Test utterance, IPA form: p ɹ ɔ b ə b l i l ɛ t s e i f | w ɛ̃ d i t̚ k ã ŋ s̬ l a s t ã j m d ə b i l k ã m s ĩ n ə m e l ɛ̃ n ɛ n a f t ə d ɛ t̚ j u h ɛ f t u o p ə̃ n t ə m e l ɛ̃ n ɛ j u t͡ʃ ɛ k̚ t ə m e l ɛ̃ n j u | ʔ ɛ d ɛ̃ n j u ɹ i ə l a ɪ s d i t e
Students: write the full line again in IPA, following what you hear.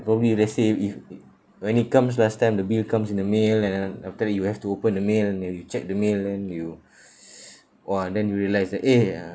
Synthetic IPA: p ɹ ɔ b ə b l i l ɛ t s e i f | w ɛ̃ n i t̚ k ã m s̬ l a s t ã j m d ə b i l k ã m s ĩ n ə m e l ɛ̃ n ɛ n a f t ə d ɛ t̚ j u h ɛ f t u o p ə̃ n d ə m e l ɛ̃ n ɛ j u t͡ʃ ɛ k̚ d ə m e l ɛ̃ n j u | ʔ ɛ d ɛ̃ n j u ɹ i ə l a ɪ s d ɛ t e

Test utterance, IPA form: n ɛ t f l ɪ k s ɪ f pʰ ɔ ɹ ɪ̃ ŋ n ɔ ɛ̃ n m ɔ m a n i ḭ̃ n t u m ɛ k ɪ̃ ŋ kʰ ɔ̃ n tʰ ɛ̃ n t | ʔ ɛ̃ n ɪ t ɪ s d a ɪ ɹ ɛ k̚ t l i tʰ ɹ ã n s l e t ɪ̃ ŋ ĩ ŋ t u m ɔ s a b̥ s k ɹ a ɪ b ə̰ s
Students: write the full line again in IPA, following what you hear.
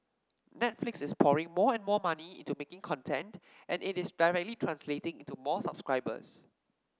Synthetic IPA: n ɛ t f l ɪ k s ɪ s pʰ ɔ ɹ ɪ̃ ŋ m ɔ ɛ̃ n m ɔ m a n i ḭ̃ n t u m e k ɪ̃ ŋ kʰ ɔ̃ n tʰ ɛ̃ n t | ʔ ɛ̃ n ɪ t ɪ s d a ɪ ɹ ɛ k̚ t l i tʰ ɹ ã n s l e t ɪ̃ ŋ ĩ n t u m ɔ s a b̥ s k ɹ a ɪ b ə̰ s

